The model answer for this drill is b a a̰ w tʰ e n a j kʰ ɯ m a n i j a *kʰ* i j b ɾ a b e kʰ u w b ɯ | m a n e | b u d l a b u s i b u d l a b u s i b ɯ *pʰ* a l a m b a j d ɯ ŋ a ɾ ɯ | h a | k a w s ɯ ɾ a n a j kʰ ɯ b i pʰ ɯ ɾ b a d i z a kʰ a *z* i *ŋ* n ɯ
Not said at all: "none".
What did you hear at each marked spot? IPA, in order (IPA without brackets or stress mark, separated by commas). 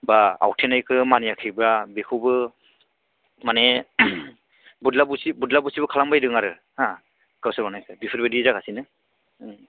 kʰ, kʰ, s, none